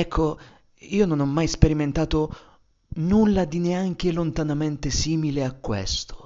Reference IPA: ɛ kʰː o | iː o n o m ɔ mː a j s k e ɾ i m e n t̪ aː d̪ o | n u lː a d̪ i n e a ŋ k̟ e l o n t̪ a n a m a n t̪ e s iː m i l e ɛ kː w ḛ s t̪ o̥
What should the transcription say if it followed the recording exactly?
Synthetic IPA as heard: ɛ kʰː o | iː o n o n ɔ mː a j s p e ɾ i m e n t̪ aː t̪ o | n u lː a d̪ i n e a ŋ k̟ e l o n t̪ a n a m e n t̪ e s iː m i l e a kː w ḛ s t̪ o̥